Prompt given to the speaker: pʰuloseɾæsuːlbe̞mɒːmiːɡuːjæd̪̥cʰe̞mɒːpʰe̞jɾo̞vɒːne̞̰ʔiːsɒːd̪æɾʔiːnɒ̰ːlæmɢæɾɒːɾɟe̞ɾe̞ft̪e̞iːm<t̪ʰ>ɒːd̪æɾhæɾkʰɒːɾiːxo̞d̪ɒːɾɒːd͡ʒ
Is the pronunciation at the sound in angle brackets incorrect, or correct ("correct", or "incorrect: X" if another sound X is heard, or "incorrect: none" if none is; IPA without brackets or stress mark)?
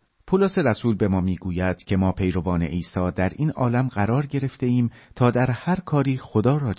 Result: correct